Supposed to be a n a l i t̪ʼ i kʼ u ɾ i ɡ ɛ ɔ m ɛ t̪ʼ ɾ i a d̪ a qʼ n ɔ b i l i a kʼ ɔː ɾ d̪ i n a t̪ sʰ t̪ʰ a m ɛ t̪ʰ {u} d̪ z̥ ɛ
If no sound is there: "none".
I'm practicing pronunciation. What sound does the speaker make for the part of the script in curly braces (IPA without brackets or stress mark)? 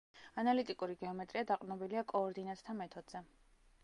ɔ